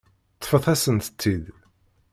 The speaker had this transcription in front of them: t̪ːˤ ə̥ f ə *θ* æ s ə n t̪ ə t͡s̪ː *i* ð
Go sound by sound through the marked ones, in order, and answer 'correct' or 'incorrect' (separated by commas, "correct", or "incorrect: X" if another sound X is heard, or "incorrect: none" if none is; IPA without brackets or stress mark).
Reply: correct, correct